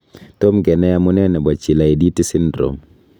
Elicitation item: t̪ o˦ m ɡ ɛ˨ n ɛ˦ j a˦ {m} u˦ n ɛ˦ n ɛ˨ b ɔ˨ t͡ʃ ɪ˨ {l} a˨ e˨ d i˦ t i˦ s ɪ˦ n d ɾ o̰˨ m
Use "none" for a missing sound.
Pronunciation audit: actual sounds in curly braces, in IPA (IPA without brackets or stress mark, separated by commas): m, l